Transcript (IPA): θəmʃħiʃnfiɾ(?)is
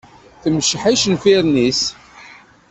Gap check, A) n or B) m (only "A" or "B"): A